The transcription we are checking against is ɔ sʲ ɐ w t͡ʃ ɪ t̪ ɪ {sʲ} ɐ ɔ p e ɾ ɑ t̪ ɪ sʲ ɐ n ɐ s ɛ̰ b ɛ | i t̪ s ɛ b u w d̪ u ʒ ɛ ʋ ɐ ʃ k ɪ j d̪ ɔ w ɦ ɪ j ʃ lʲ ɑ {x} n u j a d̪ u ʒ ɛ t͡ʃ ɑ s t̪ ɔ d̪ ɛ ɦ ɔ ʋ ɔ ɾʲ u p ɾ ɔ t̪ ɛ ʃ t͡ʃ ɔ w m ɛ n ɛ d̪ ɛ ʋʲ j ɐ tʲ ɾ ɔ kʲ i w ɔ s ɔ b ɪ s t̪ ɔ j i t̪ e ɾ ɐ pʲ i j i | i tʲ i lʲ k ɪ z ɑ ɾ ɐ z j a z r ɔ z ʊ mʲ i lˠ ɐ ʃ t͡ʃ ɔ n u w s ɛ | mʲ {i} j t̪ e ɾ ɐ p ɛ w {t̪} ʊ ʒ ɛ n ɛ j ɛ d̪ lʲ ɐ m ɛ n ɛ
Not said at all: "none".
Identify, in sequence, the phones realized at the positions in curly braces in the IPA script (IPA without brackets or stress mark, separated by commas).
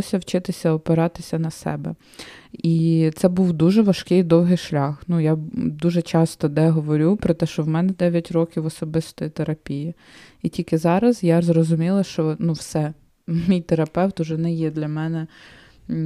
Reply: sʲ, x, i, t̪